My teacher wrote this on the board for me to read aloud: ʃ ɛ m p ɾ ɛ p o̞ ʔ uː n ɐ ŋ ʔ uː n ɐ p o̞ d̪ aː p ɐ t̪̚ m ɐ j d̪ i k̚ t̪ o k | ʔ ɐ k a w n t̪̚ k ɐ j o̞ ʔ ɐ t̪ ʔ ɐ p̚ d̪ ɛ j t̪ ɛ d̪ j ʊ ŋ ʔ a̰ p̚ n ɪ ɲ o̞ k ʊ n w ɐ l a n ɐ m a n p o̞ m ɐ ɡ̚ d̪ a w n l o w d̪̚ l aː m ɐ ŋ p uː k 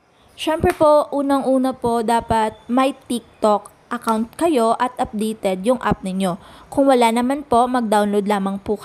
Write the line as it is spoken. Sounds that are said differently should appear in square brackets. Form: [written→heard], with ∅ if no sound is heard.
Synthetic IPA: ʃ ɛ m p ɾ ɛ p o̞ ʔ uː n ɐ ŋ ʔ uː n ɐ p o̞ d̪ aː p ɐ t̪̚ m ɐ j [d̪→t̪] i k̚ t̪ o k | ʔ ɐ k a w n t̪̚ k ɐ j o̞ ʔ ɐ t̪ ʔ ɐ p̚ d̪ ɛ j t̪ ɛ d̪ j ʊ ŋ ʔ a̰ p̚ n ɪ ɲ o̞ k ʊ [n→ŋ] w ɐ l a n ɐ m a n p o̞ m ɐ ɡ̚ d̪ a w n l o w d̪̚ l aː m ɐ ŋ p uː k